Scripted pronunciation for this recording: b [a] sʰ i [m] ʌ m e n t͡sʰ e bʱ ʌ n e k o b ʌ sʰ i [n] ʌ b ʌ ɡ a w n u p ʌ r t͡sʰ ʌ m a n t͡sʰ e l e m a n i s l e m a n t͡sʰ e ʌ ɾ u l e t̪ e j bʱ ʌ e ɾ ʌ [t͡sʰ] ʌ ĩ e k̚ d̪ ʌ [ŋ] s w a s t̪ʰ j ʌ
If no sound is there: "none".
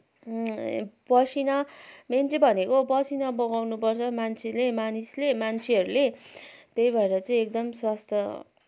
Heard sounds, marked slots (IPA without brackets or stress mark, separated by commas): ʌ, n, n, t͡s, m